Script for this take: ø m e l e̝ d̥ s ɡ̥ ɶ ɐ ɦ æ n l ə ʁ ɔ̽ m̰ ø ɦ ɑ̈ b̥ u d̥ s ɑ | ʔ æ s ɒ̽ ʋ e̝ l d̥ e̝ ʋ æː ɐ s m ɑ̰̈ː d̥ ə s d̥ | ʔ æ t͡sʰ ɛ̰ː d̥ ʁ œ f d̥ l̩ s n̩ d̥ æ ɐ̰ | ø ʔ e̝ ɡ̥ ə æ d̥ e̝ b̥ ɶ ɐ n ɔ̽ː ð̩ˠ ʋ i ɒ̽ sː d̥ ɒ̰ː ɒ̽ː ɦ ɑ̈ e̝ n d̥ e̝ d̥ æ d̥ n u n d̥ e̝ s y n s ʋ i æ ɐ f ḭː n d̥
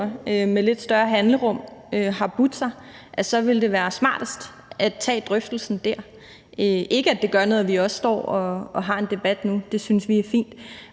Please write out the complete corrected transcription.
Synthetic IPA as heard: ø m e l e̝ d̥ s d̥ ɶ ɐ ɦ æ n l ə ʁ ɔ̽ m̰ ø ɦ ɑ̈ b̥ u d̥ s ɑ | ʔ æ s ɒ̽ ʋ e̝ l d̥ e̝ ʋ æː ɐ s m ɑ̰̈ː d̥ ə s d̥ | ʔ æ t͡sʰ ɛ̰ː d̥ ʁ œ f d̥ l̩ s n̩ d̥ æ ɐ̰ | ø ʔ e̝ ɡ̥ ə æ d̥ e̝ ɡ̥ ɶ ɐ n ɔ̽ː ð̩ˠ ʋ i ɒ̽ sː d̥ ɒ̰ː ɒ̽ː ɦ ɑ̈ e̝ n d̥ e̝ b̥ æ d̥ n u d̥ e̝ s y n s ʋ i æ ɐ f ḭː n d̥